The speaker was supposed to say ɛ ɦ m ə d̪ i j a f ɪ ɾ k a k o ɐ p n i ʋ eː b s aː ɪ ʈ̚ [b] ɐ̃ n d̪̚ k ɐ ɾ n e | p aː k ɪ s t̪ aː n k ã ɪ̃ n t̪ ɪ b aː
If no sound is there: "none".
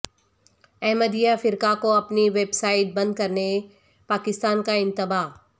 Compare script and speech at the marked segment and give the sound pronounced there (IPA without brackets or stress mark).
b